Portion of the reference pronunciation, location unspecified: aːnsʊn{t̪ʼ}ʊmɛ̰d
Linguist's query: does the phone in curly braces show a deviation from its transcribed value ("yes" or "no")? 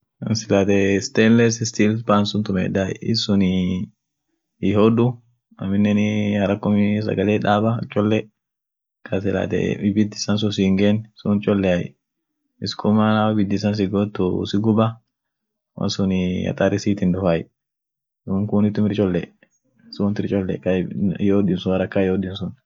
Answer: yes